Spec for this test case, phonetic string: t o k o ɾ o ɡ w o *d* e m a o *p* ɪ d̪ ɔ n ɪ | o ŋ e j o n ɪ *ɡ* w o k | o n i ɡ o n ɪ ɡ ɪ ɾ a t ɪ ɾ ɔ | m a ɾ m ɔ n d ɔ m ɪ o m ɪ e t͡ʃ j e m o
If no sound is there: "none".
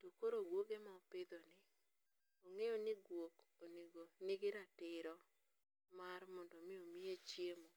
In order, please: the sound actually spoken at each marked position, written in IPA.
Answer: ɡ, p, ɡ

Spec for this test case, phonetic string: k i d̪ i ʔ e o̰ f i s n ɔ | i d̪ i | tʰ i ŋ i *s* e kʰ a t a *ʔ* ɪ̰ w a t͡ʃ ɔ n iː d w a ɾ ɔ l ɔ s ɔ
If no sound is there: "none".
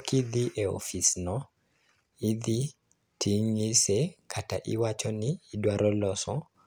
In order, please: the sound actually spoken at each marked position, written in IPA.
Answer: s, ʔ

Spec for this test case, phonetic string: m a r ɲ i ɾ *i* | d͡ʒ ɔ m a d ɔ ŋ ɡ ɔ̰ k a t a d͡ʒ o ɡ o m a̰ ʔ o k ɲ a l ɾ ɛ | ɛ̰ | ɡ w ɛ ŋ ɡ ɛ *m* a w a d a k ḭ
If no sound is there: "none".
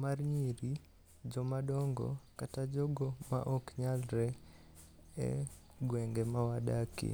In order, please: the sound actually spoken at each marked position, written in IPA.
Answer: i, m

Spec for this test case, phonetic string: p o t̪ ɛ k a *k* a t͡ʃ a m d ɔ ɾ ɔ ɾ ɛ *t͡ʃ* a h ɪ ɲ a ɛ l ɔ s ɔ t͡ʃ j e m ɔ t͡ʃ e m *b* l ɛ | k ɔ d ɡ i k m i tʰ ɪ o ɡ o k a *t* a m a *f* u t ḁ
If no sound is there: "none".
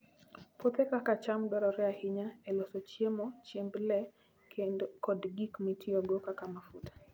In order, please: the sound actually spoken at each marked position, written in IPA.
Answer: k, none, b, k, f

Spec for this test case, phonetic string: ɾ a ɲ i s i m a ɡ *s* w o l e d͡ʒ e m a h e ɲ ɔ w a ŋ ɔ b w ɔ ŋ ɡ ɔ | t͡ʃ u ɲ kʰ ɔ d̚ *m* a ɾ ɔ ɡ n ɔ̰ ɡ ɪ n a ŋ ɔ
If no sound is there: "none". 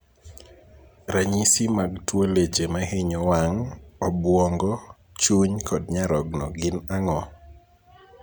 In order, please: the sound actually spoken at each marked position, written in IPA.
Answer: t, ɲ

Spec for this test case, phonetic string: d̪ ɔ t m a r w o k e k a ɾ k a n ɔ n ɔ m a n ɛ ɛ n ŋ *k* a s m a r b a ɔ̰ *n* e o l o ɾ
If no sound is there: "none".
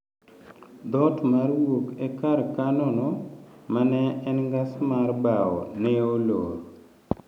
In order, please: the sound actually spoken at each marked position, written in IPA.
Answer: ɡ, n

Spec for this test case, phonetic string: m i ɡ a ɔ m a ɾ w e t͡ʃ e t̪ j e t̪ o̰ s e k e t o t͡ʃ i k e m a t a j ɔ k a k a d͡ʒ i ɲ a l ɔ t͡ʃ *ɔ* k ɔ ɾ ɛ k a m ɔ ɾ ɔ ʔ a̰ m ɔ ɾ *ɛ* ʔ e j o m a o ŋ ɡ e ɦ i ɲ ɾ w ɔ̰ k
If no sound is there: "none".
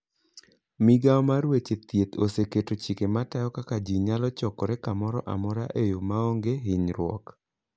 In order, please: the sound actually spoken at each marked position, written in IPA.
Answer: ɔ, a

